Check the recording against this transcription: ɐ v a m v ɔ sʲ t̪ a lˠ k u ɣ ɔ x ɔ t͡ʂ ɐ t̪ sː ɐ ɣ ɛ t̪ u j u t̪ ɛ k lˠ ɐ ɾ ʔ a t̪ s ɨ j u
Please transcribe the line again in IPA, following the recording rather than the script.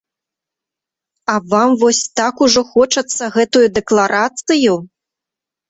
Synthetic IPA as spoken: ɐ v a m v ɔ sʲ t̪ a k u ʐ ɔ x ɔ t͡ʂ ɐ t̪ sː ɐ ɣ ɛ t̪ u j u d̪ ɛ k lˠ a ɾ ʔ a t̪ s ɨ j u